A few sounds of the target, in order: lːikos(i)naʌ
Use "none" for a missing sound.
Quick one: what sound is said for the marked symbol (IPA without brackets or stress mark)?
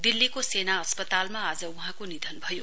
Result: e